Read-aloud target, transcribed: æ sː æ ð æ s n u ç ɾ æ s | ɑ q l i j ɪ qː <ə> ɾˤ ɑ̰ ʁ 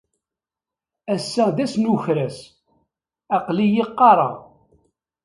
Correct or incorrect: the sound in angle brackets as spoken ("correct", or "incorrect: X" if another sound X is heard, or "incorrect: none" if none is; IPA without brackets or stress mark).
incorrect: ɑ